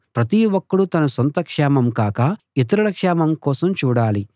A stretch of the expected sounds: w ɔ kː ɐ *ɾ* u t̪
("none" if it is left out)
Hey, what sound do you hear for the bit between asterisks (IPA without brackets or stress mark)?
ɽ